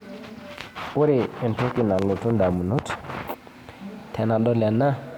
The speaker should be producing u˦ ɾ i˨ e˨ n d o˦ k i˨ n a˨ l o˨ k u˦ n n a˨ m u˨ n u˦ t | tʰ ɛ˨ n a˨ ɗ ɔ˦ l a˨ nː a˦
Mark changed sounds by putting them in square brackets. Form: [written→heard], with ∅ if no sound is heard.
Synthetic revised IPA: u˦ ɾ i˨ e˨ n [d→t] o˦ k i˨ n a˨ l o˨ [k→t] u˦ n [n→d] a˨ m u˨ n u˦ t | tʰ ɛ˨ n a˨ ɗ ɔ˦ l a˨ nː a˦

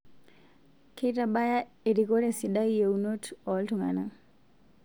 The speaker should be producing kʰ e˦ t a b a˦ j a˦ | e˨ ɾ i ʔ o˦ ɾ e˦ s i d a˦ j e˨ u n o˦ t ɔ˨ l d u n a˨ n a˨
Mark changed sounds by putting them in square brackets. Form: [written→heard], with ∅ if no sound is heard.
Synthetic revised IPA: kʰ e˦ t a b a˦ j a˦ | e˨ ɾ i [ʔ→k] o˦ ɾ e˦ s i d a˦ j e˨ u n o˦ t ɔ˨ l [d→t] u [n→ŋ] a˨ n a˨

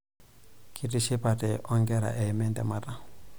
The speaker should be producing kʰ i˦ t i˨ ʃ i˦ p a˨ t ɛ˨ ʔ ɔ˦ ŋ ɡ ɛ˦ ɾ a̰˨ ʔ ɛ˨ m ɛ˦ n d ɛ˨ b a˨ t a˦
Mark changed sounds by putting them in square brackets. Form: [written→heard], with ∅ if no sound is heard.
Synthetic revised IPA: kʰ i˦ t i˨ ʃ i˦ p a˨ t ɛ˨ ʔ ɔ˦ ŋ ɡ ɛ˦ ɾ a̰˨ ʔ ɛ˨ m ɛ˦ n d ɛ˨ [b→m] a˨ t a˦

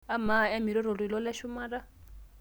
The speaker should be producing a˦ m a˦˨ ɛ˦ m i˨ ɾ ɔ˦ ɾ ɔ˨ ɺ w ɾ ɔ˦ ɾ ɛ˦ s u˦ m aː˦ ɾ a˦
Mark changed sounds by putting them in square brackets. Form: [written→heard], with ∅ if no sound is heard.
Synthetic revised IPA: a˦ m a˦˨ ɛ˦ m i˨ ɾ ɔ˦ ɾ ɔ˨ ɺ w [ɾ→l] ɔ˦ [ɾ→l] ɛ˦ [s→ʃ] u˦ m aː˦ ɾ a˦

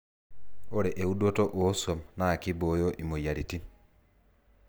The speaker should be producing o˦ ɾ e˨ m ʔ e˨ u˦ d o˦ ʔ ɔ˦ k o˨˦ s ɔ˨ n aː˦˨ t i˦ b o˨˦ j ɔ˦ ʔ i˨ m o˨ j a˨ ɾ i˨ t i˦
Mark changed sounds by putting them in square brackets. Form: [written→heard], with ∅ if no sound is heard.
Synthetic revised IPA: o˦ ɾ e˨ [m→∅] ʔ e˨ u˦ d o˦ [ʔ→t] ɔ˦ [k→ʔ] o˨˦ s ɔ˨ n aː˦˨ [t→k] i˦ b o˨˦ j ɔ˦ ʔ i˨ m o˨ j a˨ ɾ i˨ t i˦

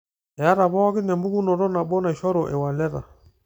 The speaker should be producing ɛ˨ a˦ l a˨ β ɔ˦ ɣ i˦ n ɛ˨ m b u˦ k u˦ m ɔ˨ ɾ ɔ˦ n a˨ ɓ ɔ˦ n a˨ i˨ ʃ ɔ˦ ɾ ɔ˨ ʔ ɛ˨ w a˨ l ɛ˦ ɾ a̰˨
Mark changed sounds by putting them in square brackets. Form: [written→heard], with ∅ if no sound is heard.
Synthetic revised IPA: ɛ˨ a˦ [l→ɾ] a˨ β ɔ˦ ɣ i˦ n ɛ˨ m b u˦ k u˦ [m→n] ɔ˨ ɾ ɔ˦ n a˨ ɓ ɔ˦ n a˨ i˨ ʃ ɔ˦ ɾ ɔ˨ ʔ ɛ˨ w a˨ l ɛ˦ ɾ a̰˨

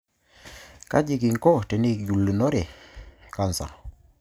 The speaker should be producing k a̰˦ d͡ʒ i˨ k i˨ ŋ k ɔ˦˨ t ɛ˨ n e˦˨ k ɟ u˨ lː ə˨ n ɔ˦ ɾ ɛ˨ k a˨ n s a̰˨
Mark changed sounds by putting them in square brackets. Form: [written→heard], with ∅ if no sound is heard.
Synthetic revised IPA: k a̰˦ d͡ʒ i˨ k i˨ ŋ k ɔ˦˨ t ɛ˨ n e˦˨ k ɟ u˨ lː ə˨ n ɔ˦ ɾ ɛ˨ k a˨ n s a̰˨

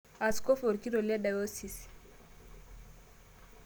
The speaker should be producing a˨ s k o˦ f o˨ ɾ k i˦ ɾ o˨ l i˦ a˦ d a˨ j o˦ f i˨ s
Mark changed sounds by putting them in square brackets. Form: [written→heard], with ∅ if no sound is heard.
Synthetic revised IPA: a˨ s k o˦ f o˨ ɾ k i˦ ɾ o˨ l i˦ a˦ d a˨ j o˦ [f→s] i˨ s

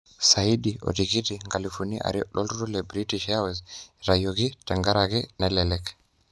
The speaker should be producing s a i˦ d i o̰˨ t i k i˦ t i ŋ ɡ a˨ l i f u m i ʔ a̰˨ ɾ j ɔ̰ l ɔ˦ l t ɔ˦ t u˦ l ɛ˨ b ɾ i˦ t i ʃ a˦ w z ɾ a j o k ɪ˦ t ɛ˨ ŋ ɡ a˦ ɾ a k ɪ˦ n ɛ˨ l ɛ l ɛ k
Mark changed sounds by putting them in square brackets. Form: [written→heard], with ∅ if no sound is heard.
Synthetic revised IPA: s a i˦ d i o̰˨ t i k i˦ t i ŋ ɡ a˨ l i f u [m→n] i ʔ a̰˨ ɾ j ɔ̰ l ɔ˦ l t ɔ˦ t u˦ l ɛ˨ b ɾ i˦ t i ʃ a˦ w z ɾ a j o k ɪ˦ t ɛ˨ ŋ ɡ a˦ ɾ a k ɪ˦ n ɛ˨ l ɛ l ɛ k

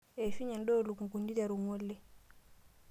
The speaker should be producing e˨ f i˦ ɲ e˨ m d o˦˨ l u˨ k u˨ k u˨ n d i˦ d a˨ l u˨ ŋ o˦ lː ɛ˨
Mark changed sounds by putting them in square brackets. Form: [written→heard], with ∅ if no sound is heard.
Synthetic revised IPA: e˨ f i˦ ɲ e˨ [m→n] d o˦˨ l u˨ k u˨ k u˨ n d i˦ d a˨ [l→ɾ] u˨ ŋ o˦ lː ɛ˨

